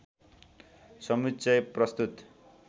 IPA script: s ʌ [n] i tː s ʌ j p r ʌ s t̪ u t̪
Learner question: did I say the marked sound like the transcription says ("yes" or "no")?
no